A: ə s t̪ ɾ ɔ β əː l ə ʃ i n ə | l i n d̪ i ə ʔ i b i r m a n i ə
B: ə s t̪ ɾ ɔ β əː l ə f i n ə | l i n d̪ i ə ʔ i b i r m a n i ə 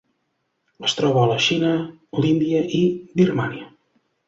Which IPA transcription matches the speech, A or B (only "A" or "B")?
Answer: A